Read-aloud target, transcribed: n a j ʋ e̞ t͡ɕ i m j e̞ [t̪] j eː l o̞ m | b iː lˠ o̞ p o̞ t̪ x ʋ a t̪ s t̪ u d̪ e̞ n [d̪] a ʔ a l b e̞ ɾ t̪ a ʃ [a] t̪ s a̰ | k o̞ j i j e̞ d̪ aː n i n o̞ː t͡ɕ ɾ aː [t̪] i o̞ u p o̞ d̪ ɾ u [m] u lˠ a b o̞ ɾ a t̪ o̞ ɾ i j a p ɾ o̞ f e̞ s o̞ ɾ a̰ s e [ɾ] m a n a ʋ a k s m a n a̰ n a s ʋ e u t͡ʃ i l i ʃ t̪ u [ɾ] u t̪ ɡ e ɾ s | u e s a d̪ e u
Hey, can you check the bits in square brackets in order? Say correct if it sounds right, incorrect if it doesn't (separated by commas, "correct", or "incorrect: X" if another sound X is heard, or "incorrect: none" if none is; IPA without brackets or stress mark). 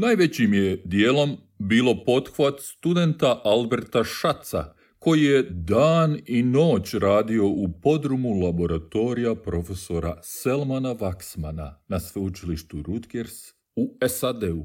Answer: incorrect: d̪, incorrect: t̪, correct, incorrect: d̪, correct, incorrect: l, correct